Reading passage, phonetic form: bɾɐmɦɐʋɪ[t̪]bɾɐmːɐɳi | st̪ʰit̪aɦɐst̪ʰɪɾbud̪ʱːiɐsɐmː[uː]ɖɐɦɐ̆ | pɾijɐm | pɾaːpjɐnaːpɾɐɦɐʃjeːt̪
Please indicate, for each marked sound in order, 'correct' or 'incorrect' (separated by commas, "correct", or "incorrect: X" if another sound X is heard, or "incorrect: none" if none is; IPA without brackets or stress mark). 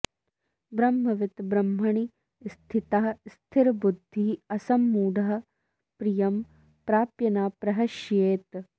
correct, correct